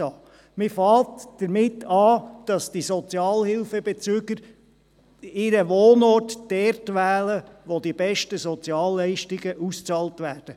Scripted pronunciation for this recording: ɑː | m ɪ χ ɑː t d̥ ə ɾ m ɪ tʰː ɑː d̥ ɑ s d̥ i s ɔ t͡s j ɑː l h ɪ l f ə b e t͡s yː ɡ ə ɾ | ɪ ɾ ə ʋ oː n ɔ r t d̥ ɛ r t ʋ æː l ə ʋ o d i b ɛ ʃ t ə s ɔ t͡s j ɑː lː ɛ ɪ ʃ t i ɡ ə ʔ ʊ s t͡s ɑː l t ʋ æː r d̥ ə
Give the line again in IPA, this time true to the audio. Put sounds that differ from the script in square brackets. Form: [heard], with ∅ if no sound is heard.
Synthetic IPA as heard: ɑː | m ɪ [f] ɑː t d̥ ə ɾ m ɪ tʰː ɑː d̥ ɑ s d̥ i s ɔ t͡s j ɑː l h ɪ l f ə b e t͡s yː ɡ ə ɾ | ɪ ɾ ə ʋ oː n ɔ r t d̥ ɛ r t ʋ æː l ə ʋ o d i b ɛ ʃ t ə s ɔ t͡s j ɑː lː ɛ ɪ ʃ t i ɡ ə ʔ [u] s t͡s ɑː l t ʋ æː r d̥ ə